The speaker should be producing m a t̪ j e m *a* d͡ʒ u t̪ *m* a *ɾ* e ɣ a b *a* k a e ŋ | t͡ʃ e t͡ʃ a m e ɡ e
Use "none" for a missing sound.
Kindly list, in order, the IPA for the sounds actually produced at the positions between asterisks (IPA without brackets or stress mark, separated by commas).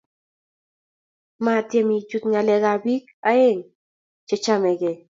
i, ŋ, l, i